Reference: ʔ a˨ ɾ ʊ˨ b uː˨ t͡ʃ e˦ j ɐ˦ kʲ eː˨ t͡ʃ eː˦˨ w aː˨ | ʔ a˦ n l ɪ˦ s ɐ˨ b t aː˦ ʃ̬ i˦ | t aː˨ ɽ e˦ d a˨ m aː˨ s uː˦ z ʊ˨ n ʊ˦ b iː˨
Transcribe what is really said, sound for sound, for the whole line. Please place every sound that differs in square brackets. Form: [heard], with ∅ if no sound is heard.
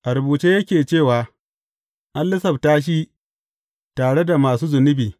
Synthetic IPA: ʔ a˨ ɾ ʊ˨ b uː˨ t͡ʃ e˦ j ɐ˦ kʲ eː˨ t͡ʃ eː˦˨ w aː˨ | ʔ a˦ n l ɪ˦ s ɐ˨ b t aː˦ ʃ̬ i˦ | t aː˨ ɽ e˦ d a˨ m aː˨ s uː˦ z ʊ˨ n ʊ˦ b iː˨